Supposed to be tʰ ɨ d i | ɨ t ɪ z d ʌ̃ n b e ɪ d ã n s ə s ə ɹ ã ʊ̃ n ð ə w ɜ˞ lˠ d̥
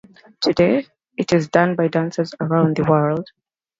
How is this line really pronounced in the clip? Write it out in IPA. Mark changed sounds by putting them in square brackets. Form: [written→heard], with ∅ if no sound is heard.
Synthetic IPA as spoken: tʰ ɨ d [i→e] | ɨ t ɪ z d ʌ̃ n b [e→a] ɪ d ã n s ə [s→z] ə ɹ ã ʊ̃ n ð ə w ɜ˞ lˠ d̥